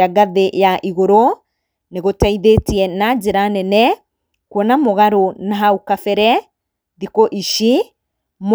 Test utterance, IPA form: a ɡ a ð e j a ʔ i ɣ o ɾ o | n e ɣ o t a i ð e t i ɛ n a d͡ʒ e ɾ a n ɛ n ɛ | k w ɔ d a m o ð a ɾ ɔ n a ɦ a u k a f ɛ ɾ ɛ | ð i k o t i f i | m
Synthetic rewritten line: a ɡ a ð e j a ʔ i ɣ o ɾ o | n e ɣ o t a i ð e t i ɛ n a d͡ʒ e ɾ a n ɛ n ɛ | k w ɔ n a m o ɣ a ɾ o n a ɦ a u k a f ɛ ɾ ɛ | ð i k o ʔ i ʃ i | m

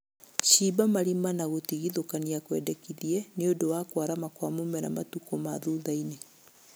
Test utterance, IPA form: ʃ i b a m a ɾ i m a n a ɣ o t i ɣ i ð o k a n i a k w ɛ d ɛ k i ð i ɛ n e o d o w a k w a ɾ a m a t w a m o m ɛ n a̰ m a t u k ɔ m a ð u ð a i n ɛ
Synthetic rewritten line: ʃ i b a m a ɾ i m a n a ɣ o t i ɣ i ð o k a n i a k w ɛ d ɛ k i ð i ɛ n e o d o w a k w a ɾ a m a k w a m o m ɛ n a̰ m a t u k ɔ m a ð u ð a i n e

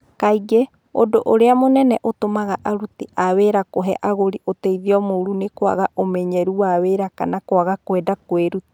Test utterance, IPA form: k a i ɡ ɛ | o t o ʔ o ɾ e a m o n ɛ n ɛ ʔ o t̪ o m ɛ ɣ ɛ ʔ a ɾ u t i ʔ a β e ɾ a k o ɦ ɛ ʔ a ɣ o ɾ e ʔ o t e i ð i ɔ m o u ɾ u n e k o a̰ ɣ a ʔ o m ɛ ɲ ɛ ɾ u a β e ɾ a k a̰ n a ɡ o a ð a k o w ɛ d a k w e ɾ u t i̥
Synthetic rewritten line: k a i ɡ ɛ | o d o ʔ o ɾ e a m o n ɛ n ɛ ʔ o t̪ o m a ɣ a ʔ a ɾ u t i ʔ a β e ɾ a k o ɦ ɛ ʔ a ɣ o ɾ i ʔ o t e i ð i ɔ m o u ɾ u n e k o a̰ ɣ a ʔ o m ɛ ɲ ɛ ɾ u a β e ɾ a k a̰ n a k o a ɣ a k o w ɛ d a k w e ɾ u t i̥

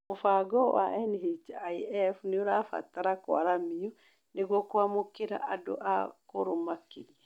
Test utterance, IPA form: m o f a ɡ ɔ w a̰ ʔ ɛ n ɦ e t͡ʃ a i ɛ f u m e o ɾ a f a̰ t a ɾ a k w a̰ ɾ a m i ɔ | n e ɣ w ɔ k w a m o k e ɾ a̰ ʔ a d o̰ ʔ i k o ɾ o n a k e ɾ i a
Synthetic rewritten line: m o f a ɡ ɔ w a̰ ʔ ɛ n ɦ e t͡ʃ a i ɛ f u n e o ɾ a f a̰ t a ɾ a k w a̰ ɾ a m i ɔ | n e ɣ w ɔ k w a m o k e ɾ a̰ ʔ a d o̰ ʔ a k o ɾ o m a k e ɾ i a

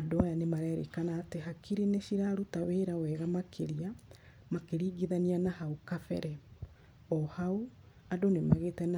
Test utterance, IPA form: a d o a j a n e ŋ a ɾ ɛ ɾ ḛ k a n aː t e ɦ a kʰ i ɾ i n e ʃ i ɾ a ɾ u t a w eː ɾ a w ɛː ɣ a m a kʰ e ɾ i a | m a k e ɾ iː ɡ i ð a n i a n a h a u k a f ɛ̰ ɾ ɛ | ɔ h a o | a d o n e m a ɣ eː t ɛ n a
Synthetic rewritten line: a d o a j a n e m a ɾ ɛ ɾ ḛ k a n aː t e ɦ a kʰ i ɾ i n e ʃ i ɾ a ɾ u t a w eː ɾ a w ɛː ɣ a m a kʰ e ɾ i a | m a k e ɾ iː ɡ i ð a n i a n a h a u k a f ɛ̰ ɾ ɛ | ɔ h a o | a d o n e m a ɣ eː t ɛ n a

